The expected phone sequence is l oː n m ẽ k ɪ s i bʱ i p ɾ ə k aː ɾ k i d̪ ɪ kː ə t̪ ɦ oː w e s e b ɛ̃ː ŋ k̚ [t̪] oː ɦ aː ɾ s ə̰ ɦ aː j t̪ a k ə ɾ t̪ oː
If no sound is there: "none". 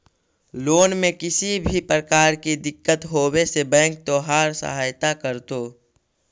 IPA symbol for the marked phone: t̪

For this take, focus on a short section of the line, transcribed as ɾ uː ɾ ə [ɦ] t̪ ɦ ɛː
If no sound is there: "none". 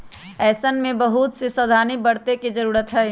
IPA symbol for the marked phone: none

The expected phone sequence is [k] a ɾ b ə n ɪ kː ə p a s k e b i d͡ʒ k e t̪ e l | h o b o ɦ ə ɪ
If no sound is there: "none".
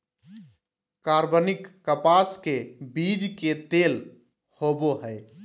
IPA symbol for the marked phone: k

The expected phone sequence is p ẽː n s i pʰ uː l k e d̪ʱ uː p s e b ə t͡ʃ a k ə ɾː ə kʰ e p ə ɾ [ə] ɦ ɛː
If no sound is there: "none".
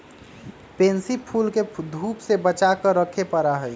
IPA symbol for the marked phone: a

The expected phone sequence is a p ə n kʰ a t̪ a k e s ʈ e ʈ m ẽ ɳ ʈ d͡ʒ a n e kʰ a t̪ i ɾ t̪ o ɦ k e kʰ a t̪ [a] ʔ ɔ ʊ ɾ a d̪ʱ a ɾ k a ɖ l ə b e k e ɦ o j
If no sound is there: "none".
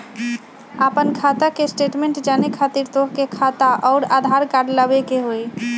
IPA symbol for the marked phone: a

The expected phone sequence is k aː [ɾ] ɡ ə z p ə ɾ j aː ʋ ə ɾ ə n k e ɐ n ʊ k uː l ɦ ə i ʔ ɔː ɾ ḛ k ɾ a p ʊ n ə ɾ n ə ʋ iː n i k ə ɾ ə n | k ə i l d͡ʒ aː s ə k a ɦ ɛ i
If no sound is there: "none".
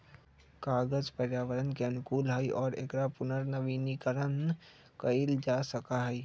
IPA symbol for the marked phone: none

